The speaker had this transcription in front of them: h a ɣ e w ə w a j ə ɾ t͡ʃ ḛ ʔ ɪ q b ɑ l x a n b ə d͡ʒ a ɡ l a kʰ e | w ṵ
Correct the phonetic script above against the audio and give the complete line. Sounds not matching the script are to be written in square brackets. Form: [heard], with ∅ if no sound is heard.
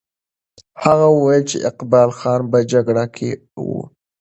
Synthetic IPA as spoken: h a ɣ [a] w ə w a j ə [l] t͡ʃ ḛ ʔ ɪ q b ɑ l x [ɑ] n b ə d͡ʒ a ɡ [ɽ] a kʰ e | w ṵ